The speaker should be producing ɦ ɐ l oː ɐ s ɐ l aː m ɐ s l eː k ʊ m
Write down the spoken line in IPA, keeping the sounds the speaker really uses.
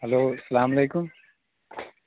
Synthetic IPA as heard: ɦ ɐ l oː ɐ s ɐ l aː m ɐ l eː k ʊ m